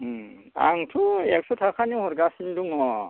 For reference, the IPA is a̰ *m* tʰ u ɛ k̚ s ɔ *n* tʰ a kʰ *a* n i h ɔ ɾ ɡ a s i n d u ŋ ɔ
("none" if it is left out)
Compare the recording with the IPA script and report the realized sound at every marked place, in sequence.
ŋ, none, a

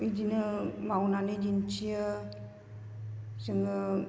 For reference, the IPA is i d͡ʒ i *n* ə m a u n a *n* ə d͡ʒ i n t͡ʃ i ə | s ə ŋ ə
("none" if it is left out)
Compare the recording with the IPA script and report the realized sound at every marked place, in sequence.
n, n

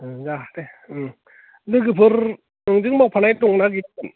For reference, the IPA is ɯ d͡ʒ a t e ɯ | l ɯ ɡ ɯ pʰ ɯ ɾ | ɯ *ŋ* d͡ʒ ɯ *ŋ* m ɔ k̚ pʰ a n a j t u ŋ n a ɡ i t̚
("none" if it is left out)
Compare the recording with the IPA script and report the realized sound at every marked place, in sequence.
ŋ, ŋ

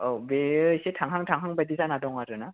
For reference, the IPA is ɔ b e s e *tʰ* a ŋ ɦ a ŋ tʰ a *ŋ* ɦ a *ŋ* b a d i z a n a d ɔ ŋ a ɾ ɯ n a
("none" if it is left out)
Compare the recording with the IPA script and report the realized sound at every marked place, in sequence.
tʰ, ŋ, ŋ

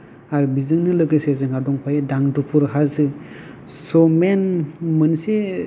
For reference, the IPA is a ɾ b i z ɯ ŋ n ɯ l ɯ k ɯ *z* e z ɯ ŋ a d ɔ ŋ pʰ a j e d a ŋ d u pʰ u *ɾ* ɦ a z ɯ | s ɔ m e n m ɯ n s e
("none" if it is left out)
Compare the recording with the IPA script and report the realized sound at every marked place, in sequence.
s, ɾ

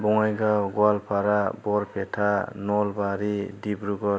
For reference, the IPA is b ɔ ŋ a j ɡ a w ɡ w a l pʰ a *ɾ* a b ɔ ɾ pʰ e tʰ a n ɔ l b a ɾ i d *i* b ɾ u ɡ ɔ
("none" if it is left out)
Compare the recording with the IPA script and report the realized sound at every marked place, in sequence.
ɾ, i

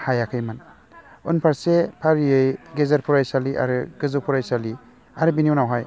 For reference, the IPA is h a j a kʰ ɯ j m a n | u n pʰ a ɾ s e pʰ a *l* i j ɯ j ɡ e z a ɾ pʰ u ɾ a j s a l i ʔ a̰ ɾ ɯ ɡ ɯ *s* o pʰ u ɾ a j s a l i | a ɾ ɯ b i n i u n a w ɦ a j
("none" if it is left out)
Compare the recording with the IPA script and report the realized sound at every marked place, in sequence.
ɾ, z

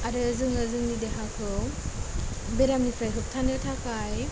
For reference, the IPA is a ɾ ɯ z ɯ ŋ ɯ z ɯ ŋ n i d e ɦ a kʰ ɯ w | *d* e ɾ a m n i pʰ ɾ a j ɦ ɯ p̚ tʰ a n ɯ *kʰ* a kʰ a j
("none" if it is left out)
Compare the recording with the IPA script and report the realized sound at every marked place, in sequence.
b, tʰ

